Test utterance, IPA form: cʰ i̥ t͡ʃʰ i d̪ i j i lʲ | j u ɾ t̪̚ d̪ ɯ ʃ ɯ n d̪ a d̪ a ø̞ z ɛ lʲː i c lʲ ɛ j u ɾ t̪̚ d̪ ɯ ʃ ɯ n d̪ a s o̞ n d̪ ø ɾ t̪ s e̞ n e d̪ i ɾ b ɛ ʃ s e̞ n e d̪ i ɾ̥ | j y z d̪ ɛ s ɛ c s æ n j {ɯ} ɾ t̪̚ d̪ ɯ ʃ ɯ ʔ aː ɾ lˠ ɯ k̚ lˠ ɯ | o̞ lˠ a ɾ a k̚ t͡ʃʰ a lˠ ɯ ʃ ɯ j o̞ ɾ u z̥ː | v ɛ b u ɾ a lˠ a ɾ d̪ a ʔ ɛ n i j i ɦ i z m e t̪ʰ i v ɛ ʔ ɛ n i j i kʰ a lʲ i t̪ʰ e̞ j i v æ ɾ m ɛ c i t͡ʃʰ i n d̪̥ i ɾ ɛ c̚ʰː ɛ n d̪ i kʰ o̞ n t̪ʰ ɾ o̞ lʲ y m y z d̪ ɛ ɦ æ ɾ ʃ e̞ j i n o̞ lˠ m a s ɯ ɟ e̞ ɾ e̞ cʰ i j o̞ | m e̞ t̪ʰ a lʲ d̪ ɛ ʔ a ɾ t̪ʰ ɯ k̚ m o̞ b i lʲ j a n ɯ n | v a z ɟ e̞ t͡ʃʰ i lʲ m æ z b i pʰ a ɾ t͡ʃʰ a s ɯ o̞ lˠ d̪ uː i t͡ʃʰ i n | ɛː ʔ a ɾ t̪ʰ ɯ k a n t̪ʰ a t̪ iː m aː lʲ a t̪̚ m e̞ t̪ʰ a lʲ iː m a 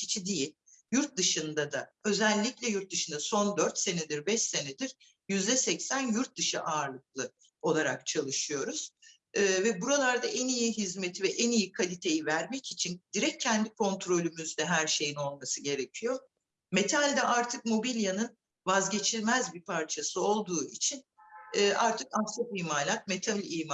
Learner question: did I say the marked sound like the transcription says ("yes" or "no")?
no